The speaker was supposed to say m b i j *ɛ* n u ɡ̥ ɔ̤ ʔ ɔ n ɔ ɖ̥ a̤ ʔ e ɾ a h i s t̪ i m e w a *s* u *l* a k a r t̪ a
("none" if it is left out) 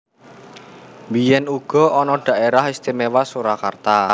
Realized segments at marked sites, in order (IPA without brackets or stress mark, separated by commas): ɛ, s, ɾ